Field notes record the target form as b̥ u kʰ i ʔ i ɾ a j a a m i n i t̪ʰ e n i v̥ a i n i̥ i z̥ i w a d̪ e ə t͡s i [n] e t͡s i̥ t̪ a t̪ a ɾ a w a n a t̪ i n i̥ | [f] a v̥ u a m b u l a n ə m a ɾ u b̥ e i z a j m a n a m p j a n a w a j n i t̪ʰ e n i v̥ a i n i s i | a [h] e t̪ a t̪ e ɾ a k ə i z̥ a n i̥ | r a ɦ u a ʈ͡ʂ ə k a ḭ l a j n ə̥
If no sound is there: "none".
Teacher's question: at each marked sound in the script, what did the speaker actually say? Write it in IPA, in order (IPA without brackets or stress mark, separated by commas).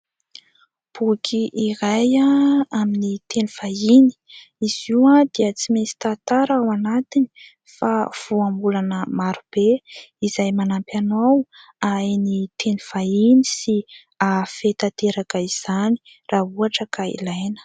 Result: m, f, f